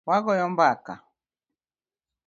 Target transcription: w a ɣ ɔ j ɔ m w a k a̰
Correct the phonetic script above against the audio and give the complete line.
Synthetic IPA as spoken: w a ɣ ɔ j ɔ m b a k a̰